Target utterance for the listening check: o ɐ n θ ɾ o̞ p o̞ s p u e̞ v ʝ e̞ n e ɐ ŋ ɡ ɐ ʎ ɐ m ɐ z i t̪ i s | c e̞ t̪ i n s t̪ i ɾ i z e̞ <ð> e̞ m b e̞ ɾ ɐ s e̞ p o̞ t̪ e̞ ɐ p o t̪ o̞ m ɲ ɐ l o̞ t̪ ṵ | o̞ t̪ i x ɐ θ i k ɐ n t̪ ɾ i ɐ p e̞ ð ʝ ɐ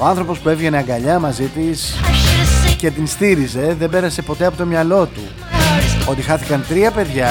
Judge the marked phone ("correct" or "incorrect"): correct